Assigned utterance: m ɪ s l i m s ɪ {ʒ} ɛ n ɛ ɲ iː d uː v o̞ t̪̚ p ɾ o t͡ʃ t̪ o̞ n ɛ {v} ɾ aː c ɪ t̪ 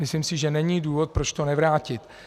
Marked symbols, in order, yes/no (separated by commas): yes, yes